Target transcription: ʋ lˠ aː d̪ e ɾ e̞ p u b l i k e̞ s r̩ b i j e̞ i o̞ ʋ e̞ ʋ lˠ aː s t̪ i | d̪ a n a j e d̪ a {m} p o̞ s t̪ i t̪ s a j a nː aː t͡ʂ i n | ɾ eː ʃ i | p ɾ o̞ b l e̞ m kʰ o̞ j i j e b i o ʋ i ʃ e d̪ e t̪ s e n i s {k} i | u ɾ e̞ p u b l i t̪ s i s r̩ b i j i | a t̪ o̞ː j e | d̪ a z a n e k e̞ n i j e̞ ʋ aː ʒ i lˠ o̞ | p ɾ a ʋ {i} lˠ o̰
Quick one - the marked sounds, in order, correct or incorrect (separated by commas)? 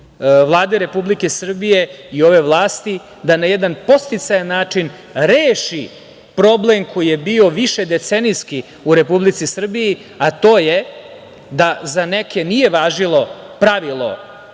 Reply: incorrect, correct, correct